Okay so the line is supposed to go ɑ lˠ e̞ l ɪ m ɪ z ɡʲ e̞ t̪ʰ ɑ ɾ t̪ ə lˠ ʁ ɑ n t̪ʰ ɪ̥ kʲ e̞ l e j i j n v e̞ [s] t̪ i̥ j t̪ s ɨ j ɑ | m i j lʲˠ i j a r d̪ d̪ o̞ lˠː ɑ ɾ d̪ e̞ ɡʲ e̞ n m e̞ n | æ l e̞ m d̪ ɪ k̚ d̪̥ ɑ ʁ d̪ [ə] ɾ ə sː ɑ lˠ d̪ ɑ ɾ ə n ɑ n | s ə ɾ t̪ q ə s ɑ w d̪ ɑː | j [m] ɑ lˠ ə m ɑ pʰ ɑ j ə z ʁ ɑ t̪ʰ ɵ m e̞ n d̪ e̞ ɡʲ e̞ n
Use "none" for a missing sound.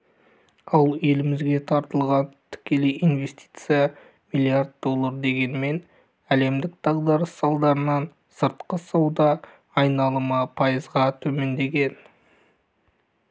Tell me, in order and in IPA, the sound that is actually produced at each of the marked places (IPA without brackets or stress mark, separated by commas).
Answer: s, ɑ, n